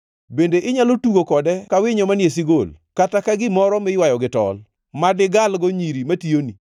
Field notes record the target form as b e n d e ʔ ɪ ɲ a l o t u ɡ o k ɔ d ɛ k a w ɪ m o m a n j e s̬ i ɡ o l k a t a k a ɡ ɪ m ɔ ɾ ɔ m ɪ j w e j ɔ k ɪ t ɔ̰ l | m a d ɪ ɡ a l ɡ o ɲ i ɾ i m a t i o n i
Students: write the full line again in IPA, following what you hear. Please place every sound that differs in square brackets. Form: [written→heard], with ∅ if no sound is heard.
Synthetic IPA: b e n d e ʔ ɪ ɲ a l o t u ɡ o k ɔ d ɛ k a w ɪ [m→ɲ] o m a n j e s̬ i ɡ o l k a t a k a ɡ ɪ m ɔ ɾ ɔ m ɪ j w [e→a] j ɔ [k→ɡ] ɪ t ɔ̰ l | m a d ɪ ɡ a l ɡ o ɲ i ɾ i m a t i o n i